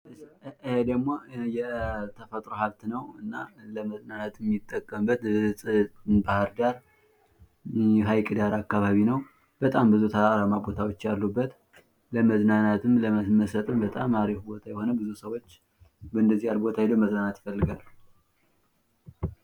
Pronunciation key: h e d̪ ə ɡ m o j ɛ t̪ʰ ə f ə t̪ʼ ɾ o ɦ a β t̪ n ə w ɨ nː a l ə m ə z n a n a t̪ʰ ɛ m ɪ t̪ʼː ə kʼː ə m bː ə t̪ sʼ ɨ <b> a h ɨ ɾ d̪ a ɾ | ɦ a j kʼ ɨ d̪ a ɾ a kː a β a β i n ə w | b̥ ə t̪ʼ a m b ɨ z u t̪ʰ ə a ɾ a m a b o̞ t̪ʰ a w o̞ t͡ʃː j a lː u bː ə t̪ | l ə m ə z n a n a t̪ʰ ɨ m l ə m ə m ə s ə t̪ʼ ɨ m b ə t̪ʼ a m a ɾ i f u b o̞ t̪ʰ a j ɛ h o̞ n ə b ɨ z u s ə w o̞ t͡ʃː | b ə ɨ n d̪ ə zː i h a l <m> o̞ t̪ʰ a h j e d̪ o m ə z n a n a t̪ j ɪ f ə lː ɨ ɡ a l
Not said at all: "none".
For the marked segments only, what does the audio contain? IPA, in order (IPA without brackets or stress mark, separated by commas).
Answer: b, b